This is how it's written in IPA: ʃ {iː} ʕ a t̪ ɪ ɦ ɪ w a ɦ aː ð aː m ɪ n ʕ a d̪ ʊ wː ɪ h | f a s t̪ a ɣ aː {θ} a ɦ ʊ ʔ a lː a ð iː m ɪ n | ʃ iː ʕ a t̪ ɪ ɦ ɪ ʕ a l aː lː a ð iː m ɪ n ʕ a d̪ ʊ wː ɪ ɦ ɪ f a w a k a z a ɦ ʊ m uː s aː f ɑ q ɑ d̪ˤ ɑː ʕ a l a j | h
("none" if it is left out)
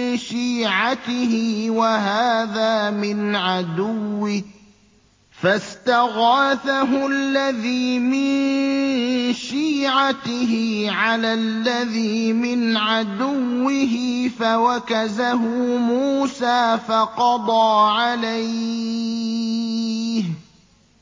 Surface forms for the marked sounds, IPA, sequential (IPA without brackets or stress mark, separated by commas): iː, θ